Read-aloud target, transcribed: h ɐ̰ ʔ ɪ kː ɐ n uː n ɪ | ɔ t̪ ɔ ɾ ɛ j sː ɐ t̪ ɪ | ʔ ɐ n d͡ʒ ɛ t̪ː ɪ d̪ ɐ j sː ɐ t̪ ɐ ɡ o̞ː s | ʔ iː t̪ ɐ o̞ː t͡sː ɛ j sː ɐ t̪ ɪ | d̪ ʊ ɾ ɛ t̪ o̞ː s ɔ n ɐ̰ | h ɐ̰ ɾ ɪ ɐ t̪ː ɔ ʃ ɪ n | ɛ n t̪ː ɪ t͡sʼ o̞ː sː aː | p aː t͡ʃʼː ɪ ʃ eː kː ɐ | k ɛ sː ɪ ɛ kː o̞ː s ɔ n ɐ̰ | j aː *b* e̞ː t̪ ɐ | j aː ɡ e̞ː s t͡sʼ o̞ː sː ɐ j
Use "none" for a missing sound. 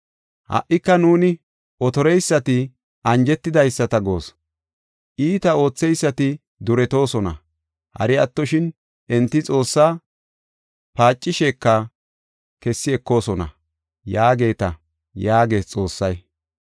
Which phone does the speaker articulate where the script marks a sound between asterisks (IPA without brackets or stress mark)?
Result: ɡ